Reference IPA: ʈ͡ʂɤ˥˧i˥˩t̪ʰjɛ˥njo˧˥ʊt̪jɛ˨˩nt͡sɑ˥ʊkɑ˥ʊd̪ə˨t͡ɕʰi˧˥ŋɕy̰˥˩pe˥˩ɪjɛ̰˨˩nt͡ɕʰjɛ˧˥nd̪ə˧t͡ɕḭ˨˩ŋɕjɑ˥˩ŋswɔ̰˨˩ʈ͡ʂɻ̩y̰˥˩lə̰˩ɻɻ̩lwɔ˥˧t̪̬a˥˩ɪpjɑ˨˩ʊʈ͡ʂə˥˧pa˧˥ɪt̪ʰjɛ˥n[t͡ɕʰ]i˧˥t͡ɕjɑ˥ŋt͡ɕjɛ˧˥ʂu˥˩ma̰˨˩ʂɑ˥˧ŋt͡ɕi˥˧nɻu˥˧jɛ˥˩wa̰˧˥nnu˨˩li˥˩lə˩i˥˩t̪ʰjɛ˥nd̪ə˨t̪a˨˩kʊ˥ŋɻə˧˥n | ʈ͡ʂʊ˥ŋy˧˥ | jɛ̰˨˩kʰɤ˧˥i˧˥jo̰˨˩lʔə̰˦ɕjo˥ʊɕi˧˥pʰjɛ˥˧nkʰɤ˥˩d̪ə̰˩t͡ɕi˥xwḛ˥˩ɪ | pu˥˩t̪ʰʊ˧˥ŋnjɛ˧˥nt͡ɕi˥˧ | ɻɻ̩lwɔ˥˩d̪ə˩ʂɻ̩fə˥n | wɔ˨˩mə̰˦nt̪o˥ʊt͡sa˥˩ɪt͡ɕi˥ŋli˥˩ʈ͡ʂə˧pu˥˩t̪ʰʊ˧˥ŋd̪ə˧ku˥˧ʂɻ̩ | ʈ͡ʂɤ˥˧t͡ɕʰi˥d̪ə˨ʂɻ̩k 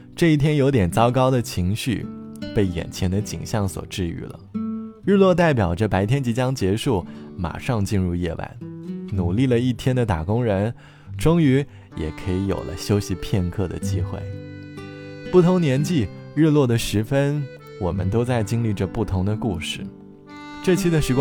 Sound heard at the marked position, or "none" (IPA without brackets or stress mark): t͡ɕ